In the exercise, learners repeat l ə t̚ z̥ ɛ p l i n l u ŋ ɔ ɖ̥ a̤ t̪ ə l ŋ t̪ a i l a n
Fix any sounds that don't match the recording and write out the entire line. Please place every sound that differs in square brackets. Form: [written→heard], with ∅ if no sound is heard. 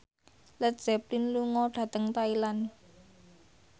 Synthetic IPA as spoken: l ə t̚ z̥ ɛ p l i n l u ŋ ɔ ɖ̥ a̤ t̪ ə [l→∅] ŋ t̪ a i l a n